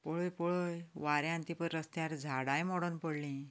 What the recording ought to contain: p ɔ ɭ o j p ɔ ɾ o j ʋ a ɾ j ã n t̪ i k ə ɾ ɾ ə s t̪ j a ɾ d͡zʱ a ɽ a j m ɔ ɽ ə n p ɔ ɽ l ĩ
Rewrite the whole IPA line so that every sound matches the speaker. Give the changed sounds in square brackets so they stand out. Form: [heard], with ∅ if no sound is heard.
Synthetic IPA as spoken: p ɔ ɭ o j p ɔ [ɭ] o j ʋ a ɾ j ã n t̪ i [p] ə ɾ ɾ ə s t̪ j a ɾ d͡zʱ a ɽ a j m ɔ ɽ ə n p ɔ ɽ l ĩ